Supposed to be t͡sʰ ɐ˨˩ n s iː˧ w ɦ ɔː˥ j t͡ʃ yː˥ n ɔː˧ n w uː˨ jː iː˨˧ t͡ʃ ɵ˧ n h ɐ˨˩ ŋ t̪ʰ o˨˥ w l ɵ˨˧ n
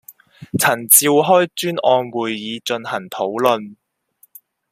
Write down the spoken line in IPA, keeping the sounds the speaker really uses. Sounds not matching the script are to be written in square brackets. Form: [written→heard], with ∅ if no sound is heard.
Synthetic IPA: t͡sʰ ɐ˨˩ n [s→t͡s] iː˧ w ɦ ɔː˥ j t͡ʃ yː˥ n ɔː˧ n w uː˨ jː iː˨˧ t͡ʃ ɵ˧ n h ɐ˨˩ ŋ t̪ʰ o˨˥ w l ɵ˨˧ n

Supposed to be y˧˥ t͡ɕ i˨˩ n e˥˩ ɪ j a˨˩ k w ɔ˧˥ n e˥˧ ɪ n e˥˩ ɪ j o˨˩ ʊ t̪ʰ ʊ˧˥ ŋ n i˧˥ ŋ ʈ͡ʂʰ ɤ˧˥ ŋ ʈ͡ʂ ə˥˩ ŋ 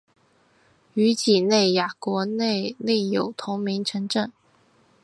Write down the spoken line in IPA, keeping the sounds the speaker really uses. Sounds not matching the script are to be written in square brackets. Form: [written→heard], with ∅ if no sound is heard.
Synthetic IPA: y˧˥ t͡ɕ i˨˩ n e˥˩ ɪ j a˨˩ k w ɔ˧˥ n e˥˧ ɪ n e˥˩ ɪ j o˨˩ ʊ t̪ʰ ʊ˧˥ ŋ [n→m] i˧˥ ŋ ʈ͡ʂʰ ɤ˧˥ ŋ ʈ͡ʂ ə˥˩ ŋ

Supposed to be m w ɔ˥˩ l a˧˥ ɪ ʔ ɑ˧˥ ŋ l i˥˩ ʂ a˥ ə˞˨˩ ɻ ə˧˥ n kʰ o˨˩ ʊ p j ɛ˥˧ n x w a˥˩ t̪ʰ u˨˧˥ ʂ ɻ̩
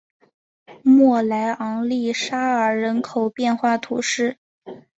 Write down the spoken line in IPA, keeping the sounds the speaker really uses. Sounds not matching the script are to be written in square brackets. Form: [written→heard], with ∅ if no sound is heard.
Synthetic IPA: m w ɔ˥˩ l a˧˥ ɪ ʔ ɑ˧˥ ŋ l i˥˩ ʂ a˥ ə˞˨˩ ɻ ə˧˥ n kʰ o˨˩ ʊ p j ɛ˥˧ n x w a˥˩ t̪ʰ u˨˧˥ ʂ ɻ̩

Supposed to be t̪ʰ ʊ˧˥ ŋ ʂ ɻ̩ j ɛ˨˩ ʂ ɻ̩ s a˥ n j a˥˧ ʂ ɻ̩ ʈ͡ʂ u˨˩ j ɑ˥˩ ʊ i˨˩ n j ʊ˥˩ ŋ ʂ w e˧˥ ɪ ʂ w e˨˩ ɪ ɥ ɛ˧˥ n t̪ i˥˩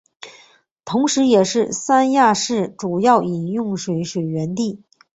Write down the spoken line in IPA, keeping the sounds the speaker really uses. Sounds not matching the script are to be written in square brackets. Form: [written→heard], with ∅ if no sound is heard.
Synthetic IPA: t̪ʰ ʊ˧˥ ŋ ʂ ɻ̩ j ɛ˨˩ ʂ ɻ̩ s a˥ n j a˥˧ ʂ ɻ̩ ʈ͡ʂ u˨˩ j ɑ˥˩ ʊ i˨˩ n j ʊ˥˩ ŋ ʂ w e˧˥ ɪ ʂ w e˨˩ ɪ ɥ ɛ˧˥ n t̪ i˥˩

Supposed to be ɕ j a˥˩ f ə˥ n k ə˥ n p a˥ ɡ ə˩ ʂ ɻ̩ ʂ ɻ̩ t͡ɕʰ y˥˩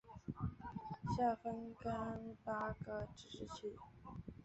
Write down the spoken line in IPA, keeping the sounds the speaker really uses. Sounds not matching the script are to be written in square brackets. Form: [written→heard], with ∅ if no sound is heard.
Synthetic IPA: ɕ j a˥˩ f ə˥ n k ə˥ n p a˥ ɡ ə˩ [ʂ→ʈ͡ʂ] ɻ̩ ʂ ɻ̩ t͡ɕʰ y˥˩

